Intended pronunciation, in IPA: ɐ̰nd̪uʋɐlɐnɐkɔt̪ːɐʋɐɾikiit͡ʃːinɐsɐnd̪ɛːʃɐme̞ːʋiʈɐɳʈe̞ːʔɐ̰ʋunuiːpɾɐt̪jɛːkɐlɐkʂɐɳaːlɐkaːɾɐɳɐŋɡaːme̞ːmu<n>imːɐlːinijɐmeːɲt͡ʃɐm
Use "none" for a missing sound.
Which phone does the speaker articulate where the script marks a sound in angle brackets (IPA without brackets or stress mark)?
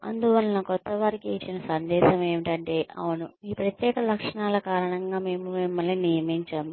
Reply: m